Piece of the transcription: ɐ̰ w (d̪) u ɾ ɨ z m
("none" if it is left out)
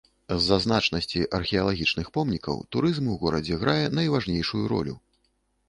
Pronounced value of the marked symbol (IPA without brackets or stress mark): t̪